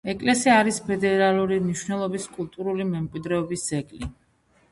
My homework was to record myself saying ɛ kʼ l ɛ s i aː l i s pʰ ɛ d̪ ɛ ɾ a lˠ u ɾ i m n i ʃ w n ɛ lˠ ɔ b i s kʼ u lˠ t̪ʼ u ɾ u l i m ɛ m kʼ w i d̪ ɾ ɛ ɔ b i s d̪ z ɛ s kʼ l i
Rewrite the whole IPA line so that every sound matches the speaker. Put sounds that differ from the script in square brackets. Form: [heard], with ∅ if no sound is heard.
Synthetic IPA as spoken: ɛ kʼ l ɛ s i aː [ɾ] i s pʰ ɛ d̪ ɛ ɾ a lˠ u ɾ i m n i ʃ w n ɛ lˠ ɔ b i s kʼ u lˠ t̪ʼ u ɾ u l i m ɛ m kʼ w i d̪ ɾ ɛ ɔ b i s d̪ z ɛ [∅] kʼ l i